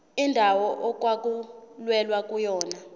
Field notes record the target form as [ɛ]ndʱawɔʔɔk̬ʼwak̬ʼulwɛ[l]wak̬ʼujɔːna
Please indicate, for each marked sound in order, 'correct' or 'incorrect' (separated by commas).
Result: incorrect, correct